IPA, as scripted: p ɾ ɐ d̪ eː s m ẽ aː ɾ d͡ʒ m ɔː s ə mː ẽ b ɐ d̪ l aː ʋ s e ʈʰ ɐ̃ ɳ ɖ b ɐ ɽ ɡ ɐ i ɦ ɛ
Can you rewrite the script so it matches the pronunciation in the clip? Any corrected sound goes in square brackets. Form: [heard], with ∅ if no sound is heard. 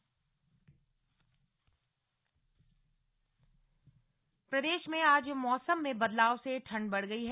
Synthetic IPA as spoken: p ɾ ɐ d̪ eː [ʃ] m ẽ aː [∅] d͡ʒ m ɔː s ə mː ẽ b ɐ d̪ l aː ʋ s e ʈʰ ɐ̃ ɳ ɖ b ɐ ɽ ɡ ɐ i ɦ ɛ